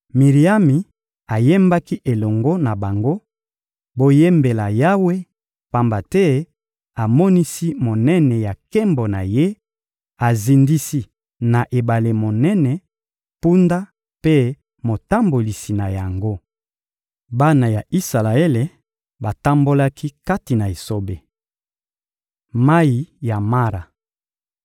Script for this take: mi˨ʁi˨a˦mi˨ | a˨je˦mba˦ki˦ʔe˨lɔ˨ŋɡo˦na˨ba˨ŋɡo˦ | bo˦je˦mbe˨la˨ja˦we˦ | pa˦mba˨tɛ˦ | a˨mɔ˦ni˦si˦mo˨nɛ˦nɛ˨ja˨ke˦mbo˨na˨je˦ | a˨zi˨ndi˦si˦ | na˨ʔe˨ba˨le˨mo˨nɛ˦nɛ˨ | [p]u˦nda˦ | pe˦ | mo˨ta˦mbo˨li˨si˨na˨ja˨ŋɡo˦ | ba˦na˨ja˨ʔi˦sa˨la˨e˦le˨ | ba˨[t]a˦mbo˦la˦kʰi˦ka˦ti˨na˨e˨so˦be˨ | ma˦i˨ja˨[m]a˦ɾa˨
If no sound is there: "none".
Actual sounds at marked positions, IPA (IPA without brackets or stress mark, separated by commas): p, t, m